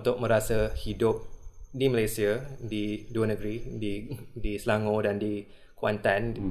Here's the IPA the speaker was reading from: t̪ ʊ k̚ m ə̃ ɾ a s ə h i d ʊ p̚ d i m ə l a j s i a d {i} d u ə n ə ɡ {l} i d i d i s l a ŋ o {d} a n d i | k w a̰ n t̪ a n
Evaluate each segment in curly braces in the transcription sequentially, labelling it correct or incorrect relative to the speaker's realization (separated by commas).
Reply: correct, incorrect, correct